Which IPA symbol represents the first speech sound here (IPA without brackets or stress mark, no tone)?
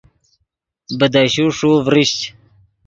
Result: b